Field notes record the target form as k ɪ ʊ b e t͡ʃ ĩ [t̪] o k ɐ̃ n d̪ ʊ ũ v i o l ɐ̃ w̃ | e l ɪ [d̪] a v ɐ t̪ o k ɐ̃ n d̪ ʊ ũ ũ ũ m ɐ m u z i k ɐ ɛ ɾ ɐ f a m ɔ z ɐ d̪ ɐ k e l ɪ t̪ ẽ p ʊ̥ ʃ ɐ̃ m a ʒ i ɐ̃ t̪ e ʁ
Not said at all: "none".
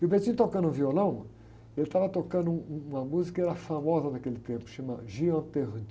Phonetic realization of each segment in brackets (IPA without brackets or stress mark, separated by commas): t̪, t̪